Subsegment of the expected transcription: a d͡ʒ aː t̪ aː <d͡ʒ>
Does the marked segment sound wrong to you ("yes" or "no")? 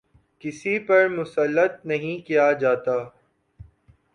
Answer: yes